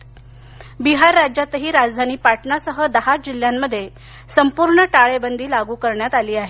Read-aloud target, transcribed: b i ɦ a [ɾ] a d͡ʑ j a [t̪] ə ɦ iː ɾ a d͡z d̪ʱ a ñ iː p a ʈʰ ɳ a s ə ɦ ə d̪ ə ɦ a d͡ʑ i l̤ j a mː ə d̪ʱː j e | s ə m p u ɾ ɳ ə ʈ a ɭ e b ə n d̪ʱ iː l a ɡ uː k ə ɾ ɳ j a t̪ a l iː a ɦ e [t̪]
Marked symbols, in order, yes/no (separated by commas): no, yes, no